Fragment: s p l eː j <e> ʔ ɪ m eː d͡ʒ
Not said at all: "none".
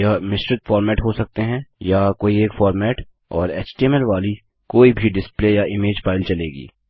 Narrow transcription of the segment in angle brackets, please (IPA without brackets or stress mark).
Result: a